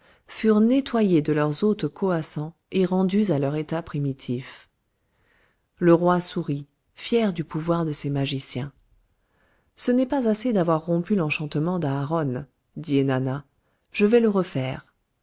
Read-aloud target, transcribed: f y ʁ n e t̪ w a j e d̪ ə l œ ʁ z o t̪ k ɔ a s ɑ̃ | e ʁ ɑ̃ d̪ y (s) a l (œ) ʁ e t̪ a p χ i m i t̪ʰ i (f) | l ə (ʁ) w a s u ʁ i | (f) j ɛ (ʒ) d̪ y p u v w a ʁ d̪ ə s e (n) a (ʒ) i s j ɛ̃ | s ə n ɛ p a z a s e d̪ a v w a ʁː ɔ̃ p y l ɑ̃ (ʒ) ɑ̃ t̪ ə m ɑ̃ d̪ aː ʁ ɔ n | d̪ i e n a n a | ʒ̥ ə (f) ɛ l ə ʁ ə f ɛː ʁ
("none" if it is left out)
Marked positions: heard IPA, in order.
z, œ, f, ʁ, f, ʁ, m, ʒ, ʃ, v

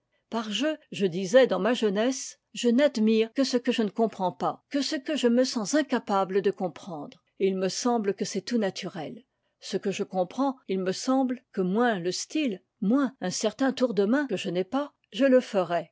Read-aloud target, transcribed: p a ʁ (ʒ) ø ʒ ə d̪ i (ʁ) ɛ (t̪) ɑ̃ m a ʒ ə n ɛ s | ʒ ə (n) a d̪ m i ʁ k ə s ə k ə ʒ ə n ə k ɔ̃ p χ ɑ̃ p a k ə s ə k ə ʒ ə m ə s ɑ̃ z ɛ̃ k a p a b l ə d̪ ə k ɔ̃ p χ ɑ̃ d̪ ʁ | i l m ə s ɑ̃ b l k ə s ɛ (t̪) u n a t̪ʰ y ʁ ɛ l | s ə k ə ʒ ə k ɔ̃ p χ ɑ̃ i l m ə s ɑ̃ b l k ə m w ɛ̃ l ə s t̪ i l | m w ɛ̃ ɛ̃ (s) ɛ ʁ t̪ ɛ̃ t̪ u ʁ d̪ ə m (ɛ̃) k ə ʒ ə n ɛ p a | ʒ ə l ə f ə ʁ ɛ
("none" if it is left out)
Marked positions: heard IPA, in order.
ʒ, z, d̪, n, t̪, s, ɛ̃

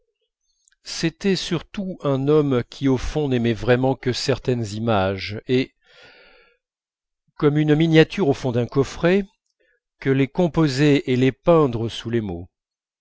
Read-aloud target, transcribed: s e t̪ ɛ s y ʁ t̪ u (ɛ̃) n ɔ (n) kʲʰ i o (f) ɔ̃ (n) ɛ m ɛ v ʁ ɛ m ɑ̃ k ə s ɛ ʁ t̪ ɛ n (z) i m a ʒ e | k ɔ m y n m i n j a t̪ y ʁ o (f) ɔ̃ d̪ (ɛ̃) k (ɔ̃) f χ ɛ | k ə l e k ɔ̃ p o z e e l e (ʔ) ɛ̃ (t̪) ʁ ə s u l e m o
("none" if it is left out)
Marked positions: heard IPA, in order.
ɛ̃, m, f, n, z, f, ɛ̃, ɔ, p, d̪

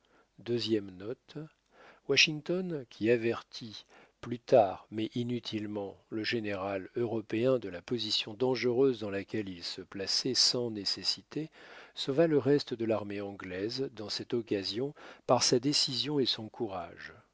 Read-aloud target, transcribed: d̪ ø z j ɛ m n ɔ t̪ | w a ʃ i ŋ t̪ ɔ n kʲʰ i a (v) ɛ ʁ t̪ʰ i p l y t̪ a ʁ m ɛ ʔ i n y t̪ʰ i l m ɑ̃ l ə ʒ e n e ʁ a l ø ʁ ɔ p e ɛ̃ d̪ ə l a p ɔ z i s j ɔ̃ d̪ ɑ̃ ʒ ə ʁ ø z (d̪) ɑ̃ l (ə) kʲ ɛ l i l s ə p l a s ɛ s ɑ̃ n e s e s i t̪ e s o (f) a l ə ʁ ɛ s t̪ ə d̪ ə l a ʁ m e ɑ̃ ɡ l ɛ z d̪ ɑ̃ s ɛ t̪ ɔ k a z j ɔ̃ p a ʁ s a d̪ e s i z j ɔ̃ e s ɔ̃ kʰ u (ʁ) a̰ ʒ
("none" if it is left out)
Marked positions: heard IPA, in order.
v, d̪, a, v, ʁ

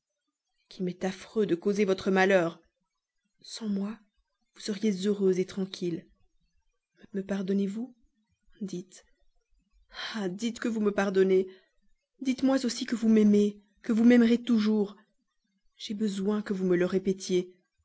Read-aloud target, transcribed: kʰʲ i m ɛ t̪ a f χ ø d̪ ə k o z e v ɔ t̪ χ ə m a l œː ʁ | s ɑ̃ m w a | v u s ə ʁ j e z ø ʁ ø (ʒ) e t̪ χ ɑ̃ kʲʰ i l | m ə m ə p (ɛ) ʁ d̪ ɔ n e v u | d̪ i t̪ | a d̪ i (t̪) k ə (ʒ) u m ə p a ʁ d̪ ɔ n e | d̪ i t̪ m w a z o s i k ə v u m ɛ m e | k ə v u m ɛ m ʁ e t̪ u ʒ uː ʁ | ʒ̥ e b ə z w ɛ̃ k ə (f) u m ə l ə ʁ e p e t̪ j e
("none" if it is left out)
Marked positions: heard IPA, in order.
z, a, t̪, v, v

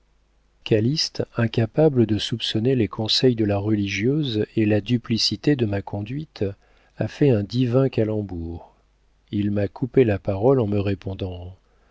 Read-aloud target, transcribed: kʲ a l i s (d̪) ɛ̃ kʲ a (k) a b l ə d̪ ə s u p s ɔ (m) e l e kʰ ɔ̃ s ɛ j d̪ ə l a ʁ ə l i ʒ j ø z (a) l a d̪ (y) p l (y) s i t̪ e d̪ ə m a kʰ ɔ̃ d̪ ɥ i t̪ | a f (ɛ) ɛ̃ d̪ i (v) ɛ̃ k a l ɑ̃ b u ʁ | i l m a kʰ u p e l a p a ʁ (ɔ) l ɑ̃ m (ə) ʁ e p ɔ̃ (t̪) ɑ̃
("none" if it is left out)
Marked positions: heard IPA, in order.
t̪, p, n, e, y, i, ɛ, v, ɔ, ə, d̪

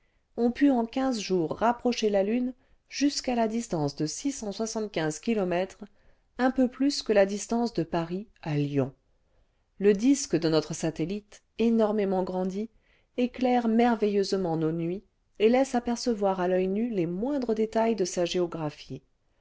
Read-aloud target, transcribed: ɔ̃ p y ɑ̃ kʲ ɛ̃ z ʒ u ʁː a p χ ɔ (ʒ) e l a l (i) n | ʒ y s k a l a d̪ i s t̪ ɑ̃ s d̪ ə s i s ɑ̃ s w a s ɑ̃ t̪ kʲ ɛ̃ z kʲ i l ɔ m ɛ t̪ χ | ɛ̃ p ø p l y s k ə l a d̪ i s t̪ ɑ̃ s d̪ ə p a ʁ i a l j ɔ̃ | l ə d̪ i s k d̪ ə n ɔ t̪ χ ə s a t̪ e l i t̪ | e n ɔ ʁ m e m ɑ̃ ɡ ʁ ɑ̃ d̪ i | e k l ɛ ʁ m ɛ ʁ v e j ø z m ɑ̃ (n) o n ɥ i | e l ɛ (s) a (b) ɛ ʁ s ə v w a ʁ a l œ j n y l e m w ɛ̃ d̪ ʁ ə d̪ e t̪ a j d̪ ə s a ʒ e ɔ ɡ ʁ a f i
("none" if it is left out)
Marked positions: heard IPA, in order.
ʃ, y, n, s, p

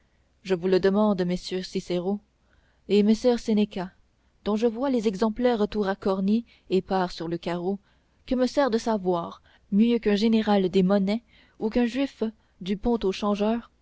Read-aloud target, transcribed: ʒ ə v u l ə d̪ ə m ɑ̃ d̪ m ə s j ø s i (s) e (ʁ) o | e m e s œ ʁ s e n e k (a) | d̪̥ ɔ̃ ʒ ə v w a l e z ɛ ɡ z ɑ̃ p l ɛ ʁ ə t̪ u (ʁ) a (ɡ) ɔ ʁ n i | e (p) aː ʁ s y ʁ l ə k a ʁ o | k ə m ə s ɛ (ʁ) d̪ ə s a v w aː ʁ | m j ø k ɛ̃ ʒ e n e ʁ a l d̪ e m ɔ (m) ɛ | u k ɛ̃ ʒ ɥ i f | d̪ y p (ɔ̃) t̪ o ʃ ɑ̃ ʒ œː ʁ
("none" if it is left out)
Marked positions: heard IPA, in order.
s, ʁ, a, ʁ, k, p, ʁ, n, ɔ̃

